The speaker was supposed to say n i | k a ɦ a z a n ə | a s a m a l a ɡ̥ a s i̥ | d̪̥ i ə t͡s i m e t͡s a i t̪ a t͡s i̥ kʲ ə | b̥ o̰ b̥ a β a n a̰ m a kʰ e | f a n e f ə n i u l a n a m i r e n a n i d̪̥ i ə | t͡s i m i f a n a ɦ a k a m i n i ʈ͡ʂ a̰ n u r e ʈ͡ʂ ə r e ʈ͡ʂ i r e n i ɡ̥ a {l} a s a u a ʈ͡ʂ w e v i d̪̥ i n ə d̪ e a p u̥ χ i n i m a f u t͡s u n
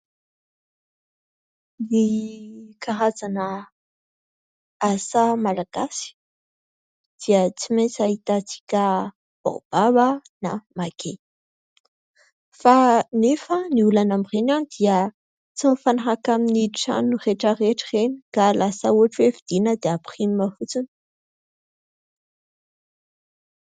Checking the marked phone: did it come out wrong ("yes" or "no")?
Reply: no